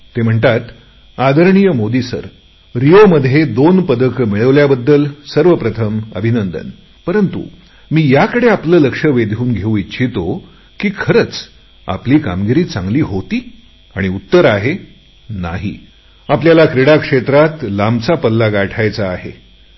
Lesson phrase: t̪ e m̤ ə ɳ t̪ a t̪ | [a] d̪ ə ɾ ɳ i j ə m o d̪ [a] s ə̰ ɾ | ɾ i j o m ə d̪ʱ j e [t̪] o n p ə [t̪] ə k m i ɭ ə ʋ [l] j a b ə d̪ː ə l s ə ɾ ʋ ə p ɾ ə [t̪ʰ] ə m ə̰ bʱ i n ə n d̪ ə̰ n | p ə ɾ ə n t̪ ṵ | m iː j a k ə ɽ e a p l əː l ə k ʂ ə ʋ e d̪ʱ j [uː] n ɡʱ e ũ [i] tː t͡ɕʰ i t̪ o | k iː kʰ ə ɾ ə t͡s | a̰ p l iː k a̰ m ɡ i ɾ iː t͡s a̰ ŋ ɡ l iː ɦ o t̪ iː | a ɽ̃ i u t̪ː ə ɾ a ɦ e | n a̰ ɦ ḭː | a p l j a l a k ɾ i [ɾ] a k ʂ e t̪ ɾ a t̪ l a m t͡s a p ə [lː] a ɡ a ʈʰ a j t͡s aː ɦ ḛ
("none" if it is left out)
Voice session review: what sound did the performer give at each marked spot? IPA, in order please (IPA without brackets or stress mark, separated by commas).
a, i, d̪, d̪, l, t̪ʰ, uː, i, ɽ, lː